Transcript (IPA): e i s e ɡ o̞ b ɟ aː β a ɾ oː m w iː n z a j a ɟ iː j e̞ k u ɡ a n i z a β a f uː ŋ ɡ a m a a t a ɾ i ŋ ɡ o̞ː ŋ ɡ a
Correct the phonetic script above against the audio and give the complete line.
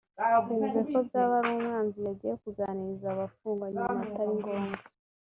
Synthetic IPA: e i z e k o̞ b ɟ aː β a ɾ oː m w aː n z i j a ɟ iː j e̞ k u ɡ a n i z a β a f uː ŋ ɡ a ɲ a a t a ɾ i ŋ ɡ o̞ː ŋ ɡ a